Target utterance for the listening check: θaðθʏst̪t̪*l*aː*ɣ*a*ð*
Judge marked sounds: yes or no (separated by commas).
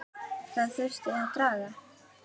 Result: no, yes, no